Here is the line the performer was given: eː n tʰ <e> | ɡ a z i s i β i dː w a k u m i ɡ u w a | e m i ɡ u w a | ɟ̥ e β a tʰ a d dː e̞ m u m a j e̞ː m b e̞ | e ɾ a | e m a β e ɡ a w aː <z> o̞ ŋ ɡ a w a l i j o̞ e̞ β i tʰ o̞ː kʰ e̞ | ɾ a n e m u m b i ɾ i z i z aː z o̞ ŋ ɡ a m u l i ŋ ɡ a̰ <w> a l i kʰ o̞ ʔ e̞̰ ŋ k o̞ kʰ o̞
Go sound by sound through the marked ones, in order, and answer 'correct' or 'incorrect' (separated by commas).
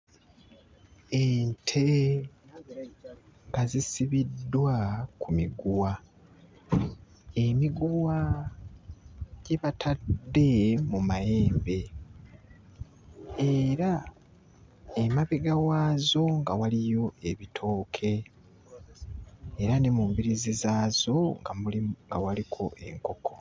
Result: correct, correct, correct